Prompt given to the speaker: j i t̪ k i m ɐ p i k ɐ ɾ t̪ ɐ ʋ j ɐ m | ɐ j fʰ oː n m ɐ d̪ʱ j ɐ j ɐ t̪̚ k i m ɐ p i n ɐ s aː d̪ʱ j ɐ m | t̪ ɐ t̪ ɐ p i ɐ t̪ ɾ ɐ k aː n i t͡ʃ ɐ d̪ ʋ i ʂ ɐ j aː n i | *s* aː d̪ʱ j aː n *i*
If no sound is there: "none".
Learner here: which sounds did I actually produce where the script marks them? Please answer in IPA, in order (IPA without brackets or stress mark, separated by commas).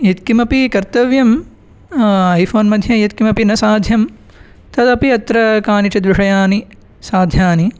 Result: s, i